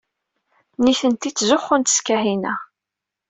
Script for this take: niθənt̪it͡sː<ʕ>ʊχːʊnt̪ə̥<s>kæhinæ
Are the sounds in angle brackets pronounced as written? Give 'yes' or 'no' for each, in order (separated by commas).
no, yes